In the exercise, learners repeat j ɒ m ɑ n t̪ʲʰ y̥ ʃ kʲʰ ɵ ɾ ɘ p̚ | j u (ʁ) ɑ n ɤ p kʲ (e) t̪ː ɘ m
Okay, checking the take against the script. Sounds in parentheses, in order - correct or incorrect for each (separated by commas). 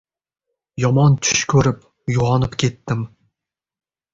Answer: correct, correct